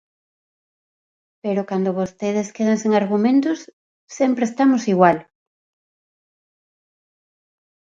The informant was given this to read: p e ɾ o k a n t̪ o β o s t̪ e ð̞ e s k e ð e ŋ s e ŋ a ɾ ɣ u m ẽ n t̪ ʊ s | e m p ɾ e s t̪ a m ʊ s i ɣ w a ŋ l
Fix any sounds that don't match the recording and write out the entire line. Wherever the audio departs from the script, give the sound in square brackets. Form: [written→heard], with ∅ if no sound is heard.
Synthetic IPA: p e ɾ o k a n [t̪→d̪] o β o s t̪ e ð̞ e s k e ð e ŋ s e ŋ a ɾ ɣ u m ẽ n t̪ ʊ [s→sː] | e m p ɾ e s t̪ a m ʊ s i ɣ w a [ŋ→∅] l